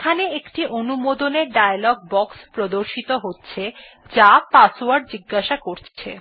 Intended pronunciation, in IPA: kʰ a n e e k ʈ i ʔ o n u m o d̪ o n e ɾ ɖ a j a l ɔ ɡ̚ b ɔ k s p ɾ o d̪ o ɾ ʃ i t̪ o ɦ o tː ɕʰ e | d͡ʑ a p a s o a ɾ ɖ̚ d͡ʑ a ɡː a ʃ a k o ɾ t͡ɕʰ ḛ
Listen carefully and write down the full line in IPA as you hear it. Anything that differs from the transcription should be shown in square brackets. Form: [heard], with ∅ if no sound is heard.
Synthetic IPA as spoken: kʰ a n e e k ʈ i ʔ o n u m o d̪ o n e ɾ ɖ a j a l ɔ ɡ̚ b ɔ k s p ɾ o d̪ o ɾ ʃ i t̪ o ɦ o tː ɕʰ e | d͡ʑ a p a s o a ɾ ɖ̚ d͡ʑ [i] ɡː a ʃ a k o ɾ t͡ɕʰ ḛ